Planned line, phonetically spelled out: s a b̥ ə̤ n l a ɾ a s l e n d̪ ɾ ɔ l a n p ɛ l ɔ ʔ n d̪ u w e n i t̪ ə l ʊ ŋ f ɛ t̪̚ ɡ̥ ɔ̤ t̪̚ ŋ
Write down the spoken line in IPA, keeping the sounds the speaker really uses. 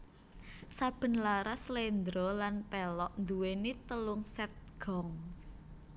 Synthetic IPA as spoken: s a b̥ ə̤ n l a ɾ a s l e n d̪ ɾ ɔ l a n p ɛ l ɔ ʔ n d̪ u w e n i t̪ ə l ʊ ŋ s ɛ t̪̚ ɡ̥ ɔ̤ ŋ